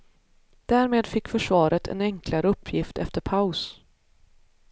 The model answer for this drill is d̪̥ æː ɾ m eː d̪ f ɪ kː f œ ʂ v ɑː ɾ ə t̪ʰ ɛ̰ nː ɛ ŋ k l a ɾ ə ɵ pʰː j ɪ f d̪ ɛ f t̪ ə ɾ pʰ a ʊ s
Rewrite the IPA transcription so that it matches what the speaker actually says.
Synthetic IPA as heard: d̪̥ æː ɾ m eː d̪ f ɪ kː f œ ʂ v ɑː ɾ ə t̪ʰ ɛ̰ n ɛ ŋ k l a ɾ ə ɵ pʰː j ɪ f t̪ ɛ f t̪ ə ɾ pʰ a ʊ s